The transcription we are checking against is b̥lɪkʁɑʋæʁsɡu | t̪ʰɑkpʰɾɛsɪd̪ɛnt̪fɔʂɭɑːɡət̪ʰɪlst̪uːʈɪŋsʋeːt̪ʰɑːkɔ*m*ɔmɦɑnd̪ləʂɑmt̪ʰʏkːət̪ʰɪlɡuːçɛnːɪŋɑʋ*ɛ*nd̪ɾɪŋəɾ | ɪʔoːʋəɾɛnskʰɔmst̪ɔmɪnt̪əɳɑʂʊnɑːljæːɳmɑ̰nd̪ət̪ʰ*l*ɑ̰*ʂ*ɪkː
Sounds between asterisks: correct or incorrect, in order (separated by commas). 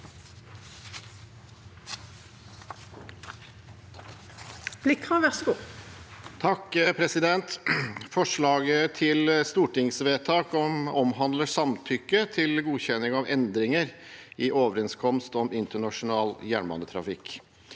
correct, correct, incorrect, incorrect